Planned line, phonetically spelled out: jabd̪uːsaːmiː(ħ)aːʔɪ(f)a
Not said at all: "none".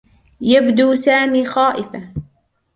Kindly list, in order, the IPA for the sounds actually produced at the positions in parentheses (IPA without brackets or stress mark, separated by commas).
x, f